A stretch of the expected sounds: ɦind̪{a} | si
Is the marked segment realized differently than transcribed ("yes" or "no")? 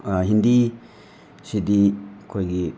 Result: yes